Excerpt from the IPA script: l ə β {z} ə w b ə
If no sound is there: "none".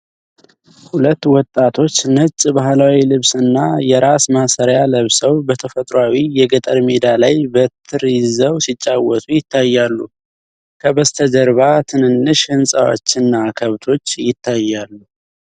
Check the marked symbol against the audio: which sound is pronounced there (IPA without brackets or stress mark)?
s